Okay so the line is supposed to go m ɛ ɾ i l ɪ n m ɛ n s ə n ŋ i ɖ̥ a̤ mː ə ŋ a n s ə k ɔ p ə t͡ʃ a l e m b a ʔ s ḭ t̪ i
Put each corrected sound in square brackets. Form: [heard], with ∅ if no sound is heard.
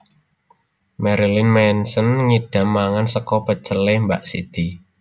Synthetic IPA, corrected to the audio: m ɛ ɾ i l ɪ n m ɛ n s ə n ŋ i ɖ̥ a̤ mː [a] ŋ a n s ə k ɔ p ə t͡ʃ [ə] l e m b a ʔ s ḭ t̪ i